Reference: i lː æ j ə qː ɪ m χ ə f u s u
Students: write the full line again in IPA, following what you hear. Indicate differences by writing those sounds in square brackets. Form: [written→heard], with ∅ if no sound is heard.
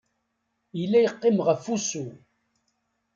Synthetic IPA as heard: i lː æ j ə qː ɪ m [χ→ʁ] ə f u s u